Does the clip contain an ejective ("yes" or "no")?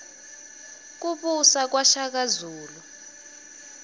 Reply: no